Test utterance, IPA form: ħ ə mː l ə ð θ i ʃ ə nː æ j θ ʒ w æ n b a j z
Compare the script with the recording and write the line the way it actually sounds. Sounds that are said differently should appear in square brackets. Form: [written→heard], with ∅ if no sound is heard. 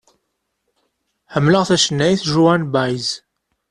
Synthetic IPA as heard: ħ ə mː l ə [ð→ʁ] θ [i→æ] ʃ ə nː æ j θ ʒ [w→u] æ n b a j z